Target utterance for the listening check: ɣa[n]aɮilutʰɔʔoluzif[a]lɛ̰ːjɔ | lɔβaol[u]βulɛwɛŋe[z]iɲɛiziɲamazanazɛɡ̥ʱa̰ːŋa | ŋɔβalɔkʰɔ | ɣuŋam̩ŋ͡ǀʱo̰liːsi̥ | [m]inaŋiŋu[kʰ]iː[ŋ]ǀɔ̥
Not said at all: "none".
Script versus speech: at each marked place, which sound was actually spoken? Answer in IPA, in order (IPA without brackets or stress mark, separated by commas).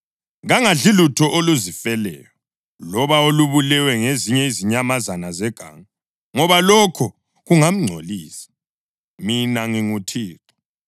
ŋ, ɛ, u, z, m, tʰ, none